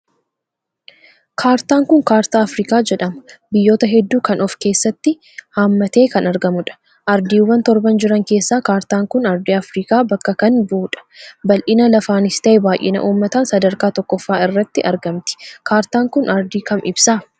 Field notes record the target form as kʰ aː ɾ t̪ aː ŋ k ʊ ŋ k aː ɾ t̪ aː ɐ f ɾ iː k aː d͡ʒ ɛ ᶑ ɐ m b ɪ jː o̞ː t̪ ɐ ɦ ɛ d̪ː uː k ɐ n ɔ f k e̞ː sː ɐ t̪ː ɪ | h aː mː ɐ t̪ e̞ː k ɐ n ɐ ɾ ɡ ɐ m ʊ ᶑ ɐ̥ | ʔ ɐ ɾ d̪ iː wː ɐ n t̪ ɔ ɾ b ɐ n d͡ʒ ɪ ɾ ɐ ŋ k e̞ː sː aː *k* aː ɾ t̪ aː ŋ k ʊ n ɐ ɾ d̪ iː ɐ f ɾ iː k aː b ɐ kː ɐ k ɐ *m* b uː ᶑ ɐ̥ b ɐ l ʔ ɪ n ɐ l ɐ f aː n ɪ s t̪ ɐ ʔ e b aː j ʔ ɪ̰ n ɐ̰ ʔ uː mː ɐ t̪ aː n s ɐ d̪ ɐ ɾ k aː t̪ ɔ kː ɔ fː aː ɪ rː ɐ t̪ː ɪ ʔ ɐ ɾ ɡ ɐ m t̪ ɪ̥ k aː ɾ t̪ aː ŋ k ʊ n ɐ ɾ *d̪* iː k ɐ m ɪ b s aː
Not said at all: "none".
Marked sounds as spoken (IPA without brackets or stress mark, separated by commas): k, n, d̪